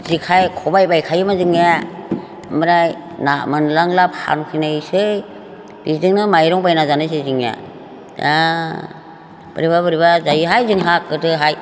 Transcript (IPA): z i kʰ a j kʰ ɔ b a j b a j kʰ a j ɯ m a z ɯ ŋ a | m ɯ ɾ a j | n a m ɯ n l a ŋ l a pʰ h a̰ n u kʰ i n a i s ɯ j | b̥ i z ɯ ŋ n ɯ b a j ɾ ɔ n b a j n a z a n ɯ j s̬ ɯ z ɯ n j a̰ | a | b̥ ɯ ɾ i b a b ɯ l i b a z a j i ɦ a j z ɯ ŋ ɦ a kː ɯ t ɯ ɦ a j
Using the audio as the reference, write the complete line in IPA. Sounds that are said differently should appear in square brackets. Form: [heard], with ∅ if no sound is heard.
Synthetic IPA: z i kʰ a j kʰ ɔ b a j b a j kʰ a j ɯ m a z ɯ ŋ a | m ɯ ɾ a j | n a m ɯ n l a ŋ l a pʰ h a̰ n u kʰ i n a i s ɯ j | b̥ i z ɯ ŋ n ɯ [m] a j ɾ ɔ [ŋ] b a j n a z a n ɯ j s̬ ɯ z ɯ [ŋ] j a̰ | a | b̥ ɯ ɾ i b a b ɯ [ɾ] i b a z a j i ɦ a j z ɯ ŋ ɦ a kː ɯ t ɯ ɦ a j